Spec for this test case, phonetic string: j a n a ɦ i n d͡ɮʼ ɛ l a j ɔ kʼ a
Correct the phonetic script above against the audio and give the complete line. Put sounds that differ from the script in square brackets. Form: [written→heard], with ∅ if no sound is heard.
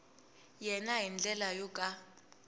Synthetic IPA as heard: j [a→ɛ] n a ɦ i n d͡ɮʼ ɛ l a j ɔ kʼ a